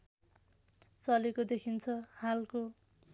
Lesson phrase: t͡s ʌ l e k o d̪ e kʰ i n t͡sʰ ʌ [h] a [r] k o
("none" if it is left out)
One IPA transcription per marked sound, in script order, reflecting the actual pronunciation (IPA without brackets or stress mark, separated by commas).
h, l